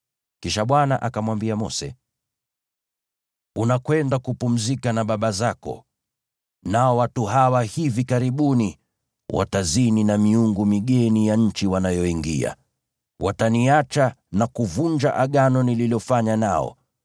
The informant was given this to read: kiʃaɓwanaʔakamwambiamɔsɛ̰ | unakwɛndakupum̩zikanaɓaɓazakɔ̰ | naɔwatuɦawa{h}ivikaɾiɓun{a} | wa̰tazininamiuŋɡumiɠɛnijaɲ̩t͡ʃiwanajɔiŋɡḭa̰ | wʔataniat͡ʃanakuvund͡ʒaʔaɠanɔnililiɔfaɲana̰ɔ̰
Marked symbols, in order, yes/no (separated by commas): yes, no